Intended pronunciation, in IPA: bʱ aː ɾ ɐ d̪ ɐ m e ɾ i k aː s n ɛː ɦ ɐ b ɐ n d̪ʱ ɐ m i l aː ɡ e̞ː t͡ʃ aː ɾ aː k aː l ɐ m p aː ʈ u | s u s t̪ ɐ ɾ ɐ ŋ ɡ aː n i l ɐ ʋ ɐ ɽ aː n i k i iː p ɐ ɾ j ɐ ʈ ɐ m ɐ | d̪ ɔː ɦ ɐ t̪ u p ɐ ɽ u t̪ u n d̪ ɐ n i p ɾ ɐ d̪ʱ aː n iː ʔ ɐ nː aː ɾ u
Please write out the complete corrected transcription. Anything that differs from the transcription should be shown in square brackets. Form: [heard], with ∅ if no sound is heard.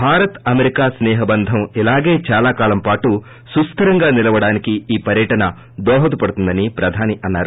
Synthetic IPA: bʱ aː ɾ ɐ [t̪] ɐ m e ɾ i k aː s n ɛː ɦ ɐ b ɐ n d̪ʱ ɐ m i l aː ɡ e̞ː t͡ʃ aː [l] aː k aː l ɐ m p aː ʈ u | s u s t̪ ɐ ɾ ɐ ŋ ɡ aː n i l ɐ ʋ ɐ ɽ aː n i k i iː p ɐ ɾ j ɐ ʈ ɐ [n] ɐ | d̪ ɔː ɦ ɐ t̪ u p ɐ ɽ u t̪ u n d̪ ɐ n i p ɾ ɐ d̪ʱ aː n [i] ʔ ɐ nː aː ɾ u